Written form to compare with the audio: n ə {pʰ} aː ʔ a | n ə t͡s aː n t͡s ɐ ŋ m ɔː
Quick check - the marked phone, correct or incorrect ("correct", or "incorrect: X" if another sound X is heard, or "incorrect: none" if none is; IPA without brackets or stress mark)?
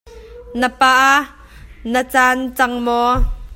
incorrect: p